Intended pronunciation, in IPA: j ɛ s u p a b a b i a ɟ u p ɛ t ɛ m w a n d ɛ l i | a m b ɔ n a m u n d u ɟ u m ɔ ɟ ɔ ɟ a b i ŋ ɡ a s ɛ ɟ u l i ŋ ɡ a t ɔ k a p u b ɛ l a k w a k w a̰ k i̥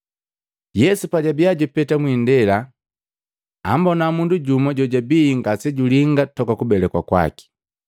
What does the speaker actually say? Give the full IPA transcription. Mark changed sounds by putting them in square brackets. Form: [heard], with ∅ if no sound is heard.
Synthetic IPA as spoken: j ɛ s u p a [ɟ] a b i a ɟ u p ɛ t [a] m w [i] n d ɛ l [a] | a m b ɔ n a m u n d u ɟ u m ɔ ɟ ɔ ɟ a b i ŋ ɡ a s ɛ ɟ u l i ŋ ɡ a t ɔ k a [k] u b ɛ l [ɛ] k w a k w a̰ k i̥